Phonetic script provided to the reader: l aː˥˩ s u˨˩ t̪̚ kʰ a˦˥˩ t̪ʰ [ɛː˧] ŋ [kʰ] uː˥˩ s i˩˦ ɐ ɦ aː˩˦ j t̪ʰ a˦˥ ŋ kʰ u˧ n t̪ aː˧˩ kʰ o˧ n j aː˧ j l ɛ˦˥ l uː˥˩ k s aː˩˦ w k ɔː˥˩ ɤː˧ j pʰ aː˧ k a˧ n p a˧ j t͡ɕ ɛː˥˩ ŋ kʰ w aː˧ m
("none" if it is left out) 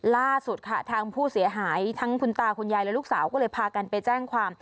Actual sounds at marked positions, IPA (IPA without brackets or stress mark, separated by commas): aː˧, pʰ